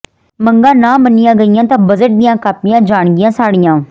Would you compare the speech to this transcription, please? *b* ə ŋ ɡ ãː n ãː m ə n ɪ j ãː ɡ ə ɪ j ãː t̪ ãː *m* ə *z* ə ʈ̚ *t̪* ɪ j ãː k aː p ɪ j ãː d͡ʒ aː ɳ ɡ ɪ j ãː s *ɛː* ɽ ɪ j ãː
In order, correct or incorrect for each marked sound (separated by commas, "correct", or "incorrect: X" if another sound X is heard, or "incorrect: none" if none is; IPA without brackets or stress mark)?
incorrect: m, incorrect: b, correct, incorrect: d̪, incorrect: aː